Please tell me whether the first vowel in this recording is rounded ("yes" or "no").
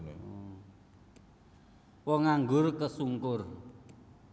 yes